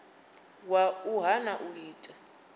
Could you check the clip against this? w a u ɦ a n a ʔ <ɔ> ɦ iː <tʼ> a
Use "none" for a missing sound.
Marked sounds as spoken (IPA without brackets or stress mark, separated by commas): u, tʼ